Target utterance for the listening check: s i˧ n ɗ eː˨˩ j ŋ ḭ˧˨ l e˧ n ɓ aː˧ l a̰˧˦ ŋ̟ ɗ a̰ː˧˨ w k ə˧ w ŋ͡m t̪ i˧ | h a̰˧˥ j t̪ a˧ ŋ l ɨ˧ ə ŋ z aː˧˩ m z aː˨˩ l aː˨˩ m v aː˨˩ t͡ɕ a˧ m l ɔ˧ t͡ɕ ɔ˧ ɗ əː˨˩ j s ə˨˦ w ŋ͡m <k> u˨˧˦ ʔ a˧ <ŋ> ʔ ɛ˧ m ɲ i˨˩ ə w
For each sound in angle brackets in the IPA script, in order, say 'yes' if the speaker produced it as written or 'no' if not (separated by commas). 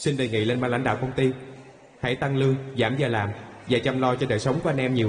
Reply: yes, no